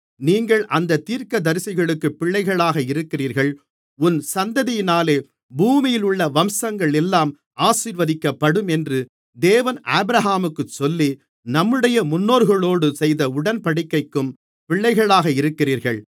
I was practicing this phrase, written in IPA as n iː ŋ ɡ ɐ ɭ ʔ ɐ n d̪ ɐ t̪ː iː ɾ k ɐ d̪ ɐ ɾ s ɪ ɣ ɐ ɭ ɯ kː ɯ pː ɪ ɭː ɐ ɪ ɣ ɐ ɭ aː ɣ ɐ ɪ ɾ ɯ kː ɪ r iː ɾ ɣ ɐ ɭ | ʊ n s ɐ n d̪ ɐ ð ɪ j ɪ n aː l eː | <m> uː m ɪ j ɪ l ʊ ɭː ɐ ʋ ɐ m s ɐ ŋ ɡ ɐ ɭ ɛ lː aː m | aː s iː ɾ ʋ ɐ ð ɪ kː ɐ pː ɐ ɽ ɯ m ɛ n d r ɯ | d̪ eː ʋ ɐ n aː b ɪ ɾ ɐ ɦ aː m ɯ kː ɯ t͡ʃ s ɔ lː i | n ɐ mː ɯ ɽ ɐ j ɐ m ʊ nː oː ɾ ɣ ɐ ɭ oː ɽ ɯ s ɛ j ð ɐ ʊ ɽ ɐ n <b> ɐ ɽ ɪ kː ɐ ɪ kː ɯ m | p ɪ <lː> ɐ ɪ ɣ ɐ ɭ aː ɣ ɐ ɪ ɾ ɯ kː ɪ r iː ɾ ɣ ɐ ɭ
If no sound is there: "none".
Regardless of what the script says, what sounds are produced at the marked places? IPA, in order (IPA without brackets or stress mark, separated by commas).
b, p, ɭː